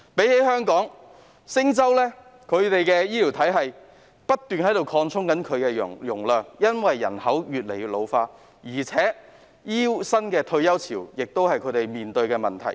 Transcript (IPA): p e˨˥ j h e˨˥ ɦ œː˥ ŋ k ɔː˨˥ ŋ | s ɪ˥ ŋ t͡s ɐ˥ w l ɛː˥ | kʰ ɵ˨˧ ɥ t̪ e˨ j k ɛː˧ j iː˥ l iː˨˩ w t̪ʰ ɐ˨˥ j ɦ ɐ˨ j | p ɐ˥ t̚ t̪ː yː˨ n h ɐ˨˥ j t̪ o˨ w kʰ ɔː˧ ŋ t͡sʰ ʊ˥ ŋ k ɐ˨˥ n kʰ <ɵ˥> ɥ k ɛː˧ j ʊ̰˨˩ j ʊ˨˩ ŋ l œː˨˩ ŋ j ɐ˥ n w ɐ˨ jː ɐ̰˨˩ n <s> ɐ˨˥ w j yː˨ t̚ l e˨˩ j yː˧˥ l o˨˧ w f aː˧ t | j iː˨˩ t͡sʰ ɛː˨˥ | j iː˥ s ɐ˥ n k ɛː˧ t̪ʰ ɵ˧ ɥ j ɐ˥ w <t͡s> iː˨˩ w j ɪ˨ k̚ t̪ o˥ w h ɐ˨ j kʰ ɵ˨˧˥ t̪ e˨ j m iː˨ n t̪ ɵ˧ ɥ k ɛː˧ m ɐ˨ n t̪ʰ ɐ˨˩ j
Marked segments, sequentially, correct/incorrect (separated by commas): incorrect, incorrect, incorrect